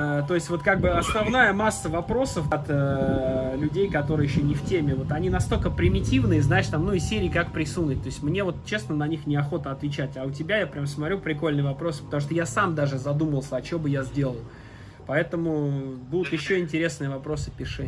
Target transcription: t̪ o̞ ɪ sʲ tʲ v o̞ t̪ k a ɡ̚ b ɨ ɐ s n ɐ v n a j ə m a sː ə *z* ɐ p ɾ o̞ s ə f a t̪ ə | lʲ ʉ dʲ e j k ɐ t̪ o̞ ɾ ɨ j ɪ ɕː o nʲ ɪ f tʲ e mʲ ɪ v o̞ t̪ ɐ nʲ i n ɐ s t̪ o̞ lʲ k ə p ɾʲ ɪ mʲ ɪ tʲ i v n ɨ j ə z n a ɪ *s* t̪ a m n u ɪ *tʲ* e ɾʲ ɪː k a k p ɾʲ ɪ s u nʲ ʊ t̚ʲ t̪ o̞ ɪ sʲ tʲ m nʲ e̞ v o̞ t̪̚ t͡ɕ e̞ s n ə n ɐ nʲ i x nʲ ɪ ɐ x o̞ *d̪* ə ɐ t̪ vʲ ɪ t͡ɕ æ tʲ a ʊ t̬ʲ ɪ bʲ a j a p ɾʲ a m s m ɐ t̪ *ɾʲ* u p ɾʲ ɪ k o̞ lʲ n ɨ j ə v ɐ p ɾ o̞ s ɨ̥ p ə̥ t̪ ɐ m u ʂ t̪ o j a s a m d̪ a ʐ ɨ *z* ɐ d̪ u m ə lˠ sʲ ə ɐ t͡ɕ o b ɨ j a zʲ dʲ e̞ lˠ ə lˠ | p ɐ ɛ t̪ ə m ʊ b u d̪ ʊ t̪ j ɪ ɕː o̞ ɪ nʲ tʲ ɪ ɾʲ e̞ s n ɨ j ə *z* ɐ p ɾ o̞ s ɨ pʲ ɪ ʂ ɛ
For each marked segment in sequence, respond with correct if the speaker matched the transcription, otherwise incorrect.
incorrect: v, incorrect: ʂ, incorrect: sʲ, incorrect: t̪, correct, correct, incorrect: v

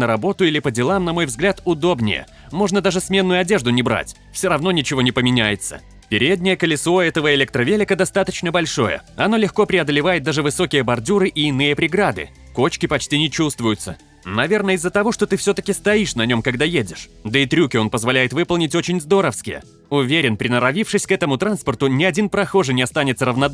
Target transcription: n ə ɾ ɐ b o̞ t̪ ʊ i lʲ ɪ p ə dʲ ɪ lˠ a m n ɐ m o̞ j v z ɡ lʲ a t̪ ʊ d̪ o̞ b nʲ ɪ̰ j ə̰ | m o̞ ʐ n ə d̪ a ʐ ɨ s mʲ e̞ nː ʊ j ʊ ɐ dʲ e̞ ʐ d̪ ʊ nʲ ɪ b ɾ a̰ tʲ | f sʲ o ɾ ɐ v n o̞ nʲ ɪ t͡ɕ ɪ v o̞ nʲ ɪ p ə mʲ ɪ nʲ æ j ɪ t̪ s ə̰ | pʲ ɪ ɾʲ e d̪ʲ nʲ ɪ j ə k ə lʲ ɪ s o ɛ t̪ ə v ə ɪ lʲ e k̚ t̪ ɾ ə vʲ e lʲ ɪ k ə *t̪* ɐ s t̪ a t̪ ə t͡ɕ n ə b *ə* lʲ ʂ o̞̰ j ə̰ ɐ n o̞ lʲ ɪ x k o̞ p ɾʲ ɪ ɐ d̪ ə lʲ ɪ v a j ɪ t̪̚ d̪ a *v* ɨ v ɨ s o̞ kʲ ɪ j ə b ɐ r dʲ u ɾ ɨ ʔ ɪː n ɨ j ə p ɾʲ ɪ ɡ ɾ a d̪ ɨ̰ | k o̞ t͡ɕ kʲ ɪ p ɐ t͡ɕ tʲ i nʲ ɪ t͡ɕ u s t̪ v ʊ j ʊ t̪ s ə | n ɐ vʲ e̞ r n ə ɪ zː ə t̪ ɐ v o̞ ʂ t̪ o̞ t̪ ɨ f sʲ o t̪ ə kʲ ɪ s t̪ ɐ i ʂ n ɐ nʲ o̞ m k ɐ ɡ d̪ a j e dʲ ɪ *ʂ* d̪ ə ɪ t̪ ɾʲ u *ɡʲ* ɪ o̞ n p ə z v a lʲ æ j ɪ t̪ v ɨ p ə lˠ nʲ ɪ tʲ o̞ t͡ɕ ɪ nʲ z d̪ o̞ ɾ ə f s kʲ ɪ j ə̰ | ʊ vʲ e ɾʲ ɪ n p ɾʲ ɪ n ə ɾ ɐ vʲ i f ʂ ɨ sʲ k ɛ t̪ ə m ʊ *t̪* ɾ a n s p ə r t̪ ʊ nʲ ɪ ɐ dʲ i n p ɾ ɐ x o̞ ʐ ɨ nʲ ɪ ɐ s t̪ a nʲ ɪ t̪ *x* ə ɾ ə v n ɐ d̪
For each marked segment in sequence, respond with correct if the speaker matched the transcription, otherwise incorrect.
incorrect: d̪, incorrect: ɐ, incorrect: ʐ, correct, incorrect: kʲ, correct, incorrect: s

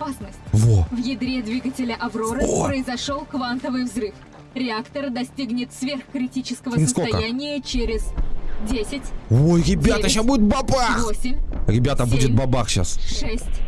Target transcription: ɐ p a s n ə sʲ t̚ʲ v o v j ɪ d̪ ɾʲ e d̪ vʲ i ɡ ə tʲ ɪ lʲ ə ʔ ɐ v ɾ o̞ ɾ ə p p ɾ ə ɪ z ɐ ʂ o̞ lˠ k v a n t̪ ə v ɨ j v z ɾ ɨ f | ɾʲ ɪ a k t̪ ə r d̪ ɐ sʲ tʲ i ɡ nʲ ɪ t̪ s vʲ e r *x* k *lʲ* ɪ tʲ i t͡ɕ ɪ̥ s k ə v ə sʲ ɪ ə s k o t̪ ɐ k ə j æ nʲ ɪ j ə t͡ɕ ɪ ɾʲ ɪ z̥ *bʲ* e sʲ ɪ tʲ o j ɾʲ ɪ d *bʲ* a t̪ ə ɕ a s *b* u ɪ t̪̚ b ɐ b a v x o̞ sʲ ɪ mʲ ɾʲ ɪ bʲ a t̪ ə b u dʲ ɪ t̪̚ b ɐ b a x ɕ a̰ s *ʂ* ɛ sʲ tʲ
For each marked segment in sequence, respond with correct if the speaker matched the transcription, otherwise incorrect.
correct, incorrect: ɾʲ, incorrect: dʲ, correct, correct, correct

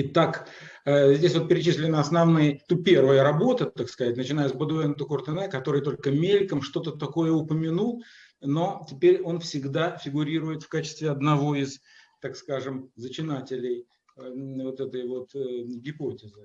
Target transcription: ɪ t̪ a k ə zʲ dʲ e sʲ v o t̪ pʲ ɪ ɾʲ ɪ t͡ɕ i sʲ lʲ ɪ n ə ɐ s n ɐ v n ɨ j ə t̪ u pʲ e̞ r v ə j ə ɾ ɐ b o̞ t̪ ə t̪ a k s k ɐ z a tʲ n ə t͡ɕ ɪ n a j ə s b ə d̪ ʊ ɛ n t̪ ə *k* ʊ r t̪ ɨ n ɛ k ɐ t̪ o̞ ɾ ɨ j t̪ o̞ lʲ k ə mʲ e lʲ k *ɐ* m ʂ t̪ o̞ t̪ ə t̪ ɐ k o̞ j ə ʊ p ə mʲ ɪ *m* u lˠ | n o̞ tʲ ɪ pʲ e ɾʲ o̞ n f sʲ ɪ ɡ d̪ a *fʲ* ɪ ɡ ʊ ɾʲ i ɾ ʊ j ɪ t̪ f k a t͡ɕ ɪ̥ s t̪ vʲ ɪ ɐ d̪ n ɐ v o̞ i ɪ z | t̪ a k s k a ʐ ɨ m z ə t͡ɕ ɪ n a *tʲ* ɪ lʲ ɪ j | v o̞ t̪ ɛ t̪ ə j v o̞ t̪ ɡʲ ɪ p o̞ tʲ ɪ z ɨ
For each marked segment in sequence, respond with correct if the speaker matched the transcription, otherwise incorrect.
correct, incorrect: ə, incorrect: n, correct, correct

